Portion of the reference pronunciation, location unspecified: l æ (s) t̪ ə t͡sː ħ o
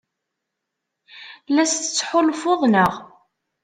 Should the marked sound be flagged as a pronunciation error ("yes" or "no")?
no